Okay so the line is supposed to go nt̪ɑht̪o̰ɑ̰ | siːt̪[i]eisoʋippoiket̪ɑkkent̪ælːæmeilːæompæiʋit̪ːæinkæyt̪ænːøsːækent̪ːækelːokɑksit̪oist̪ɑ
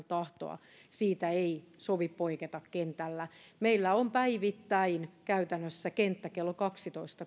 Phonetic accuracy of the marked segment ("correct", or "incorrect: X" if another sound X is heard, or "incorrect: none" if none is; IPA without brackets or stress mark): incorrect: æ